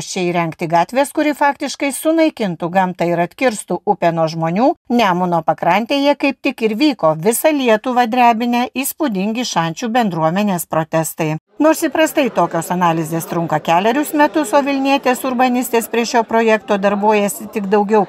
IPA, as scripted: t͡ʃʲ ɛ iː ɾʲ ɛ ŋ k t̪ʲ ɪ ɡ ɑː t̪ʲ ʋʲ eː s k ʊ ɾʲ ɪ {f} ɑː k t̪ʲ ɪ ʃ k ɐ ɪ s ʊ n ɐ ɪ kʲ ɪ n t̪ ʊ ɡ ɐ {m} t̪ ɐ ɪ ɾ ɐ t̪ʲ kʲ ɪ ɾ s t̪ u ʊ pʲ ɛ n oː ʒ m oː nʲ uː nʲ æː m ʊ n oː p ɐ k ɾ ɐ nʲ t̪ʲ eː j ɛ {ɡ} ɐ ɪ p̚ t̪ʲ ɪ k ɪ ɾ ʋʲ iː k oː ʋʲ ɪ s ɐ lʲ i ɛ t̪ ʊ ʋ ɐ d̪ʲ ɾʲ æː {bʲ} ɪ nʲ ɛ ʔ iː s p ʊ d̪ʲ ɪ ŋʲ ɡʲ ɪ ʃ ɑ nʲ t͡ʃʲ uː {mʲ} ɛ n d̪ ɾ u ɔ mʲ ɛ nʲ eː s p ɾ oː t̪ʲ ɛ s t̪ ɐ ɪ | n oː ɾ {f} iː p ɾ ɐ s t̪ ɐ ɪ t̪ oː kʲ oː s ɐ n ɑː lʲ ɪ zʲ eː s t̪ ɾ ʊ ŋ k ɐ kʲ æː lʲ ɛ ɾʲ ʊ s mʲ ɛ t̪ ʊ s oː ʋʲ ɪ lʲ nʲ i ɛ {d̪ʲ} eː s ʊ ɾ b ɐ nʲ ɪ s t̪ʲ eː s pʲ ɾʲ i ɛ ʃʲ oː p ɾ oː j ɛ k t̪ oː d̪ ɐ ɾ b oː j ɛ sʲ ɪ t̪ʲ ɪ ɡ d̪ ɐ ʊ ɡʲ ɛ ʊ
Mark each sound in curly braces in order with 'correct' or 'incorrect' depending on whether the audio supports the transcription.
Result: correct, correct, incorrect, correct, incorrect, incorrect, incorrect

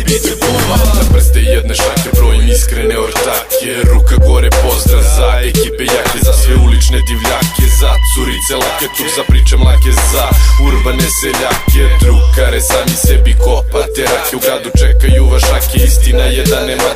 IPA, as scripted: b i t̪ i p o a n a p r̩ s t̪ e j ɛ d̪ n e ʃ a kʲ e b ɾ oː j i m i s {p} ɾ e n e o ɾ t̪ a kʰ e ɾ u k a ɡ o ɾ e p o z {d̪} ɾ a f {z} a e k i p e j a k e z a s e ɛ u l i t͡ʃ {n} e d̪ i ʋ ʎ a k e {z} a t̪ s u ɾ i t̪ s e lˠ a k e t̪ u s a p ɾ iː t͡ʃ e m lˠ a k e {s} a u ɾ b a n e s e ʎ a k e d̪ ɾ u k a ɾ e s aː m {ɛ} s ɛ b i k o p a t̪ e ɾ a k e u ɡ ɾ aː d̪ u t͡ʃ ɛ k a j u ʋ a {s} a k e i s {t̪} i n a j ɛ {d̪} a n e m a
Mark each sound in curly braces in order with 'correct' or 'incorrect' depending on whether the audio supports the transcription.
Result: incorrect, correct, correct, correct, correct, incorrect, incorrect, incorrect, correct, correct

